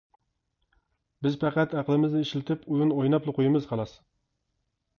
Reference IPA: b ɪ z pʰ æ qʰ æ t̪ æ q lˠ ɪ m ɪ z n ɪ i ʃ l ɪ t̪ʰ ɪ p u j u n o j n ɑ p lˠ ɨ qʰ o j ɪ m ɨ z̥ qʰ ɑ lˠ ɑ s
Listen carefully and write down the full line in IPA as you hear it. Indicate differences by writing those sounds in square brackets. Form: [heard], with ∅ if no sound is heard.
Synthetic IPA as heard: b ɪ z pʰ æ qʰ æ t̪ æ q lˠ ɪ m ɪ z n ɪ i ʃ l ɪ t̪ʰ ɪ p u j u n o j n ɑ p lˠ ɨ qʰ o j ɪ m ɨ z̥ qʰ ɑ lˠ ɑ s